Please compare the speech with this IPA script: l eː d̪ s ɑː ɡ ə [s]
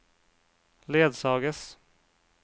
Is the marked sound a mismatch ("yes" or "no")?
no